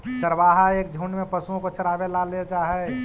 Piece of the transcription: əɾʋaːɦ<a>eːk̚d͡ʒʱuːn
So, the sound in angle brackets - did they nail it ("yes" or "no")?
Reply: yes